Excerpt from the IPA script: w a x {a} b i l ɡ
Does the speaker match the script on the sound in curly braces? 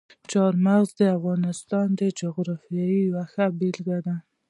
yes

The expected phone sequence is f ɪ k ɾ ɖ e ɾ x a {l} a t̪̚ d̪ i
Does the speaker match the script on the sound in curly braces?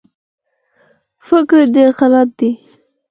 yes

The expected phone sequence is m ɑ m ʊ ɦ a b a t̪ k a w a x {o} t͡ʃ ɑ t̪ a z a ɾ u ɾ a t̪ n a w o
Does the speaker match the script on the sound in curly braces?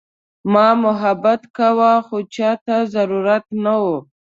yes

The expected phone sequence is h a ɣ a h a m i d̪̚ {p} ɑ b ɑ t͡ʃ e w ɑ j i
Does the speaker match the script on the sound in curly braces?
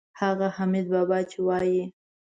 no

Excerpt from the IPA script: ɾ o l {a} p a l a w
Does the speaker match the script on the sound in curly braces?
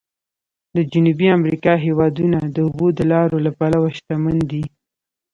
yes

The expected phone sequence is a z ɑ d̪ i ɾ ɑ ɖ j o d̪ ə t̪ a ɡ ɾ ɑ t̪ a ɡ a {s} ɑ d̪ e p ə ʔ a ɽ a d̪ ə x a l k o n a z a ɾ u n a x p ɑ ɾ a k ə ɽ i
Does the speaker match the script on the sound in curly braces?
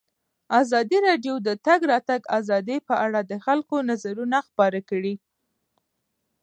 no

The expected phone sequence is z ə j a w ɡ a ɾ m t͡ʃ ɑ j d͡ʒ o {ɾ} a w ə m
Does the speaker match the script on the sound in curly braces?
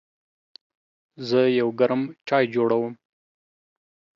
no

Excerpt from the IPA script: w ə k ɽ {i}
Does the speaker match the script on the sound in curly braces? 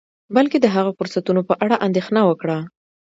no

